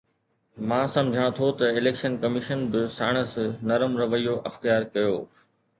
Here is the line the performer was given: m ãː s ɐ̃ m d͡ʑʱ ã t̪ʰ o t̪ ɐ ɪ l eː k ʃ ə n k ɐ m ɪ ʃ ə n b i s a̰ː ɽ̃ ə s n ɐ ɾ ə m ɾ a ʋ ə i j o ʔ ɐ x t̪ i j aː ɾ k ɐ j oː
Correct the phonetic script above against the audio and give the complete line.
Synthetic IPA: m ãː s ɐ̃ m d͡ʑʱ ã t̪ʰ o t̪ ɐ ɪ l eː k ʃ ə n k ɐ m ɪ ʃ ə n b ɪ s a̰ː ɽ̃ ə s n ɐ ɾ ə m ɾ ɐ ʋ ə i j o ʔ ɐ x t̪ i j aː ɾ k ɐ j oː